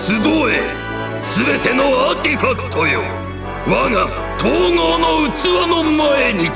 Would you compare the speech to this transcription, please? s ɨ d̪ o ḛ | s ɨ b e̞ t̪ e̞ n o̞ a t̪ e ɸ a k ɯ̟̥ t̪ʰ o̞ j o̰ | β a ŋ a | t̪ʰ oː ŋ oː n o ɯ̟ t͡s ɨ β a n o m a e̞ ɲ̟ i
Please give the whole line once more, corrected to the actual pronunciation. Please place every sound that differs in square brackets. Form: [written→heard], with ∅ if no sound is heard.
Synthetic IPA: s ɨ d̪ o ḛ | s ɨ b e̞ t̪ e̞ n o̞ a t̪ e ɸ a k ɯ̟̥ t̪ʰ o̞ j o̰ | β a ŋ a | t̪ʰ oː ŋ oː n o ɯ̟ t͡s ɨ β a n o m a e̞ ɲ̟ i